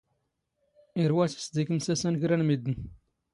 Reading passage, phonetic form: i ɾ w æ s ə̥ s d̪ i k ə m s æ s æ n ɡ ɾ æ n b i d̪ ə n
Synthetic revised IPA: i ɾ w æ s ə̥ s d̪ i k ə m s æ s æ n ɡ ɾ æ n m i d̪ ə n